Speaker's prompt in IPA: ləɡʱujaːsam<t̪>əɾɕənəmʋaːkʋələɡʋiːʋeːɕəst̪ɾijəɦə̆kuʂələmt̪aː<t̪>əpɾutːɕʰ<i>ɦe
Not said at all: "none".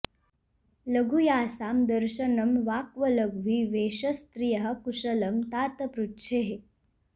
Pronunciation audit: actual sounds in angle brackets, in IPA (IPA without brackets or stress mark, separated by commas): d̪, t̪, e